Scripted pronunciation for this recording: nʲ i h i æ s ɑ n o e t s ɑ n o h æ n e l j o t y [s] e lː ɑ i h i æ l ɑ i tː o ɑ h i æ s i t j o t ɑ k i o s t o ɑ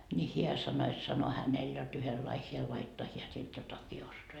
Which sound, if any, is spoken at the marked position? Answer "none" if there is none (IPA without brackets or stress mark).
h